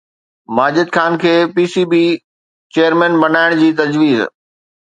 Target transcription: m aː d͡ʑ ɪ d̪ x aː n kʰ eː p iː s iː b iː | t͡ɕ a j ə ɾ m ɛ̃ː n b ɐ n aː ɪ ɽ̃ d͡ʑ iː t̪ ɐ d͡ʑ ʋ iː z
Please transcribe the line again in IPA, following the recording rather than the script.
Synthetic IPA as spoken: m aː d͡ʑ ɪ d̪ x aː n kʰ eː p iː s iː b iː | t͡ɕ e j ə ɾ m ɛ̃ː n b ɐ n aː ɪ ɽ̃ d͡ʑ iː t̪ ɐ d͡ʑ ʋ iː z